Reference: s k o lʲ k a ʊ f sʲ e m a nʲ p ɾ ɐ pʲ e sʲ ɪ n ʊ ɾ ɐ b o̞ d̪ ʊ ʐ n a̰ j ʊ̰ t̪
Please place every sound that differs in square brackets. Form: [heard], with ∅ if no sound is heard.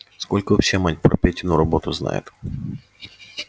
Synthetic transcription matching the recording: s k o lʲ k [ə] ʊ f sʲ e m a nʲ p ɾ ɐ pʲ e [tʲ] ɪ n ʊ ɾ ɐ b o̞ [t̪] ʊ [z] n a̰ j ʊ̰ t̪